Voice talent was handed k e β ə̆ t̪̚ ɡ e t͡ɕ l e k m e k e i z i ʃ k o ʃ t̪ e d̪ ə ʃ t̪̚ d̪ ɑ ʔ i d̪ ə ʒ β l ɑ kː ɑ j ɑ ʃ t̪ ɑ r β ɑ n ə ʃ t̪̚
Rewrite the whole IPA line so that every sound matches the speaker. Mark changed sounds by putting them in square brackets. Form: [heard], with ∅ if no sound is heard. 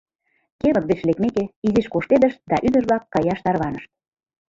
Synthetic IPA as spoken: k e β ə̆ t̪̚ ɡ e t͡ɕ l e k m e k e i z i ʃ k o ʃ t̪ e d̪ ə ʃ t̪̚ d̪ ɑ ʔ [y] d̪ ə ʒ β l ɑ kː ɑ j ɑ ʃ t̪ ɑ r β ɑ n ə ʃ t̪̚